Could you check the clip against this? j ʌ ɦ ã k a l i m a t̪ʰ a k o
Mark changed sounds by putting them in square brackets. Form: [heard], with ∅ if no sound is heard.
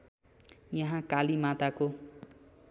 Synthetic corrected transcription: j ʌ ɦ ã k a l i m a [t̪] a k o

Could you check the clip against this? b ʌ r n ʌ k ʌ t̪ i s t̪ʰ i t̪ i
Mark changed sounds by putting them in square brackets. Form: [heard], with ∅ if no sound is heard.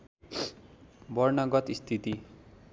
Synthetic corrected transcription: b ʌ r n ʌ [ɡ] ʌ t̪ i s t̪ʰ i t̪ i

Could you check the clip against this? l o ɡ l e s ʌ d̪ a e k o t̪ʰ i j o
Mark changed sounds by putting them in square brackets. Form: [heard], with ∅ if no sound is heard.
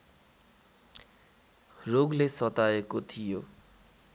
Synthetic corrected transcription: [r] o ɡ l e s ʌ [t̪] a e k o t̪ʰ i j o

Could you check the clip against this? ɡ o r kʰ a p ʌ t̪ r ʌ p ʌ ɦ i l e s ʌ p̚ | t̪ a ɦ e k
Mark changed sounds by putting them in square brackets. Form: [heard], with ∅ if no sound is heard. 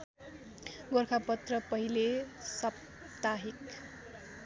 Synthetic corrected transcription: ɡ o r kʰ a p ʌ t̪ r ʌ p ʌ ɦ i l e s ʌ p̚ | t̪ a ɦ [i] k

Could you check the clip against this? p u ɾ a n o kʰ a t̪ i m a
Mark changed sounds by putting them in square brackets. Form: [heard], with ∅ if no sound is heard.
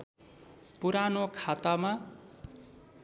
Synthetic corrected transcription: p u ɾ a n o kʰ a t̪ [a] m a

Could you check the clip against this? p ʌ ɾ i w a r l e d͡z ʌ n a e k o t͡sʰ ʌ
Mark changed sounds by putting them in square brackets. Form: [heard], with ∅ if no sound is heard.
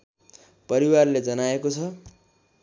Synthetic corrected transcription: p ʌ ɾ i w a r l e d͡z ʌ n a e k o t͡sʰ ʌ

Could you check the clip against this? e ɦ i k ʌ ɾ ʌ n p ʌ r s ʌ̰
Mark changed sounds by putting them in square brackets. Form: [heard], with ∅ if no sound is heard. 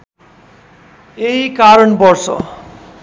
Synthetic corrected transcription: e ɦ i k [a] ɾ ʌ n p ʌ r s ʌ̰

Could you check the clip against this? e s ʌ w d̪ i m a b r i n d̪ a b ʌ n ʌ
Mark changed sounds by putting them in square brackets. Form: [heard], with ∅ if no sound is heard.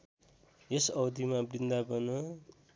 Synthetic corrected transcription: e s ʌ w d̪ i m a b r i n d̪ a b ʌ n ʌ

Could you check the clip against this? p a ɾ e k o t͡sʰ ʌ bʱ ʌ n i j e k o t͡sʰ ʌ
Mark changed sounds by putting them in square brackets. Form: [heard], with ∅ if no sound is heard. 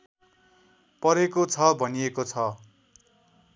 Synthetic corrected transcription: p [ʌ] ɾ e k o t͡sʰ ʌ bʱ ʌ n i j e k o t͡sʰ ʌ

